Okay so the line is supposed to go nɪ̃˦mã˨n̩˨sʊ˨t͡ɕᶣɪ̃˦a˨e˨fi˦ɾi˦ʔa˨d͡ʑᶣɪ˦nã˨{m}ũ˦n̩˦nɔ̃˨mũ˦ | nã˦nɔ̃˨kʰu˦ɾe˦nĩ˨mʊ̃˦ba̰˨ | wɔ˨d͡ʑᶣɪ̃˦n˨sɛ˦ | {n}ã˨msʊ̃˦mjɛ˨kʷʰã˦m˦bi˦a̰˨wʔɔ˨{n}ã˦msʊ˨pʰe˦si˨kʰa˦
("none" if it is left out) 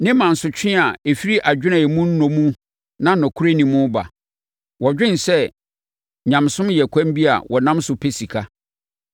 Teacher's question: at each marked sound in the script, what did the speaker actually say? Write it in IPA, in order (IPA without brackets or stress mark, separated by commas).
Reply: m, ɲ, n